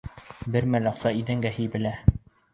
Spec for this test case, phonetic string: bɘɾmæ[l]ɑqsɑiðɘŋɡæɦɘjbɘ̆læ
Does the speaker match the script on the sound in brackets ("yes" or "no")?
yes